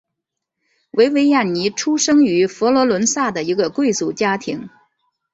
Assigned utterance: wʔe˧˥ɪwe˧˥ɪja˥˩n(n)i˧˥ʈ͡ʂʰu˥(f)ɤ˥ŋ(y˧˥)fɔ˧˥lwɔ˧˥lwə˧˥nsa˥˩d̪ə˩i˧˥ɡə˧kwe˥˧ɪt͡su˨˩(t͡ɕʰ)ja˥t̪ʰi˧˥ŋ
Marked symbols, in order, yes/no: yes, no, yes, no

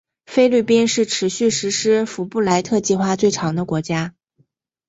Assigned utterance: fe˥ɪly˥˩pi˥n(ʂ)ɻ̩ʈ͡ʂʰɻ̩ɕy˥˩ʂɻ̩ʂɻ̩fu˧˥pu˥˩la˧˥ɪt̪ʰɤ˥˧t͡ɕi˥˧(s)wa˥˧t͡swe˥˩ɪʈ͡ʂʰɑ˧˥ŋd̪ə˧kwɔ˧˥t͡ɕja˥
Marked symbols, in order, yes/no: yes, no

